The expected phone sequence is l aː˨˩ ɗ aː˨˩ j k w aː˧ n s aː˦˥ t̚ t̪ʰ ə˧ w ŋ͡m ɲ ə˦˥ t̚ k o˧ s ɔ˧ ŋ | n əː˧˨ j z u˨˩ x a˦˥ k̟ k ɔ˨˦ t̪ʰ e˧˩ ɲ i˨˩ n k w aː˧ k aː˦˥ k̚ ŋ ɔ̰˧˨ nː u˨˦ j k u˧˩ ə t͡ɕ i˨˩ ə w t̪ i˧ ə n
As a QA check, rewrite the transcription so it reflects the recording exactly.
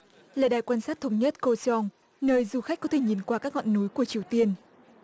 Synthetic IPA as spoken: l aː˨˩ ɗ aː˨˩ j k w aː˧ n s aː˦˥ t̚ t̪ʰ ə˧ w ŋ͡m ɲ ə˦˥ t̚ k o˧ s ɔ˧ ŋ | n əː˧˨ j z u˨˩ x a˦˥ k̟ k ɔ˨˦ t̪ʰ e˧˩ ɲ i˨˩ n k w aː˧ k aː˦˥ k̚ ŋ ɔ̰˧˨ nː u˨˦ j k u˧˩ ə t͡ɕ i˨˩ ə w t̪ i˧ ə n